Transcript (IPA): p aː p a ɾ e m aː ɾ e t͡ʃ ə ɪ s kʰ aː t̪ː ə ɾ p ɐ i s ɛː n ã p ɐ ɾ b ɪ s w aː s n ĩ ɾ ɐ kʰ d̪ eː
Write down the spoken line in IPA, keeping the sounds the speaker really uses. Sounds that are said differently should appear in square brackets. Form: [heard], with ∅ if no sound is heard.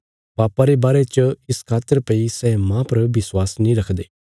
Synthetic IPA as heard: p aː p a ɾ e [b] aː ɾ e t͡ʃ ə ɪ s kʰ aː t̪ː ə ɾ p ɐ i s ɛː [m] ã p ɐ ɾ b ɪ s w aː s n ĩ ɾ ɐ kʰ d̪ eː